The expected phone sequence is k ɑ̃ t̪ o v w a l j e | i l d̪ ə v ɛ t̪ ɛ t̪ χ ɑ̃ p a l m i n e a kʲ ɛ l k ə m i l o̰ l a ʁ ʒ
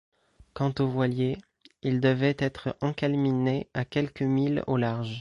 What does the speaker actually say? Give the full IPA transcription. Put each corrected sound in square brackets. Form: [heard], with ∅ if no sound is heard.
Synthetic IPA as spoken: k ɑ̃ t̪ o v w a l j e | i l d̪ ə v ɛ t̪ ɛ t̪ χ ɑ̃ [k] a l m i n e a kʲ ɛ l k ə m i l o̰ l a ʁ ʒ